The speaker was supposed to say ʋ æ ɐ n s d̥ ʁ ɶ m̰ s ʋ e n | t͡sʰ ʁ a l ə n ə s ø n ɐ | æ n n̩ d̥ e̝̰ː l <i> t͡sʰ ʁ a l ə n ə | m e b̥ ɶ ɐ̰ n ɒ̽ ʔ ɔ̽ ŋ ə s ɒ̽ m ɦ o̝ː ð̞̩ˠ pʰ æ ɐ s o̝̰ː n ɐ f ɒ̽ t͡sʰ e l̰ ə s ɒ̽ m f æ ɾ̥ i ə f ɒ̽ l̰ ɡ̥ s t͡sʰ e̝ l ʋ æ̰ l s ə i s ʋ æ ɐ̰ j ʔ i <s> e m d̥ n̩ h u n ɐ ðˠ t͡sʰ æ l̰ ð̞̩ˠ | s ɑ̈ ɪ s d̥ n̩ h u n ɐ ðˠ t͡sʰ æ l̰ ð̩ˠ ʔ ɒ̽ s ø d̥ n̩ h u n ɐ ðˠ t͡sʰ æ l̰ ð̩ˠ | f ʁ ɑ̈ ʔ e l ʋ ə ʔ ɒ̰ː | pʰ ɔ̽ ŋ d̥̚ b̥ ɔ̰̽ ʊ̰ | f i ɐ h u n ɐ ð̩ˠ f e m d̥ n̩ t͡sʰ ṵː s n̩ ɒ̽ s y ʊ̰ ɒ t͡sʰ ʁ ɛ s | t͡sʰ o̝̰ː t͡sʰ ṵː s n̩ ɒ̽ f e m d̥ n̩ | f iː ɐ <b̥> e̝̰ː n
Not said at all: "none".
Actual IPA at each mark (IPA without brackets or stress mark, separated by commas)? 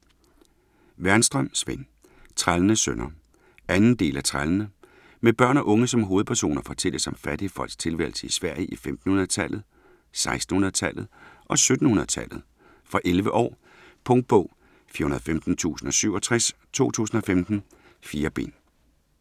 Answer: æ, f, b̥